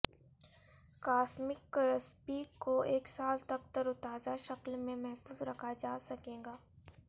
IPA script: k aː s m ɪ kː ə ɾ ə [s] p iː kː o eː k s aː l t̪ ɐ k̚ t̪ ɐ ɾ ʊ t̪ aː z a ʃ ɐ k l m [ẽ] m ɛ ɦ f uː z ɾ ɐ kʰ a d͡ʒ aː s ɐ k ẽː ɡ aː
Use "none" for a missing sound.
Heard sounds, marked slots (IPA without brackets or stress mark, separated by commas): s, ẽ